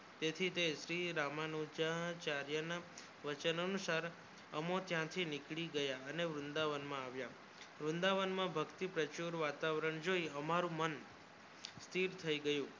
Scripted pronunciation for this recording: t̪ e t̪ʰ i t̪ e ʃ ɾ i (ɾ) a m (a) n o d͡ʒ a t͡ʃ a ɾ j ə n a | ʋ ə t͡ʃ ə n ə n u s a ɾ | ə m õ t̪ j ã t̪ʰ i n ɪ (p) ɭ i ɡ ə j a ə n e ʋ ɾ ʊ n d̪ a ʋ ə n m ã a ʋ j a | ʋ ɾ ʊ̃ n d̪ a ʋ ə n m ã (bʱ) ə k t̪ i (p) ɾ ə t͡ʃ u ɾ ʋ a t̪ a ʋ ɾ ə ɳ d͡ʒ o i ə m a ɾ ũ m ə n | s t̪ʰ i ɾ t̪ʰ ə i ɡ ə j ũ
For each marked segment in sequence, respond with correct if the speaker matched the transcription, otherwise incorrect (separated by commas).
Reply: correct, correct, incorrect, correct, correct